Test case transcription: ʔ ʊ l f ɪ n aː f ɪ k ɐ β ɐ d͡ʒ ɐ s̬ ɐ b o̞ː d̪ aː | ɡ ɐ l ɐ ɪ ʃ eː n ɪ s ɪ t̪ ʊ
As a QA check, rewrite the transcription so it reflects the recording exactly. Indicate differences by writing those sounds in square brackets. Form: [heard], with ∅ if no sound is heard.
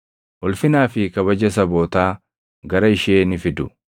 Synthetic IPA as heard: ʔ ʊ l f ɪ n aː f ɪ k ɐ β ɐ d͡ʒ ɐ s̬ ɐ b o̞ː [t̪] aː | ɡ ɐ [ɾ] ɐ ɪ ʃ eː n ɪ [f] ɪ [d̪] ʊ